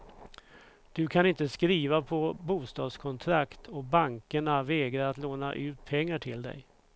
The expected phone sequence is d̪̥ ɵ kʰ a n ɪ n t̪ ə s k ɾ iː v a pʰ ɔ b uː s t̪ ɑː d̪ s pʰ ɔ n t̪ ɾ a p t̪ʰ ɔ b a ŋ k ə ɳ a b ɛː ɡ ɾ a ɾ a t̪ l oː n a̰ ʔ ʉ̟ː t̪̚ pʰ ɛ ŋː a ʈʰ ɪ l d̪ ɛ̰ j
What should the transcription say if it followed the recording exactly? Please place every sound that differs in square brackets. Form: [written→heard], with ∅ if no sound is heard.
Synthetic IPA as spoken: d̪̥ ɵ kʰ a n ɪ n t̪ ə s k ɾ iː v a pʰ ɔ b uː s t̪ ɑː d̪ s [pʰ→kʰ] ɔ n [t̪→t̪ʰ] ɾ a [p→k] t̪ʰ ɔ b a ŋ k ə ɳ a [b→v] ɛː ɡ ɾ a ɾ a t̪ l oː n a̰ ʔ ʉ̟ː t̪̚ pʰ ɛ ŋː a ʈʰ ɪ l d̪ ɛ̰ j